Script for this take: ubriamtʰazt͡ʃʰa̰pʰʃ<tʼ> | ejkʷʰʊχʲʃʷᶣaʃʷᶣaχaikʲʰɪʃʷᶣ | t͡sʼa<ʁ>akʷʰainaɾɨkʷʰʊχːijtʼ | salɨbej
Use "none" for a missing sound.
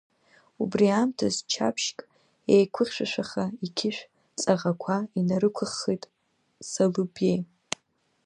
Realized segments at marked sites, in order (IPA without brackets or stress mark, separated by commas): kʼ, ʁ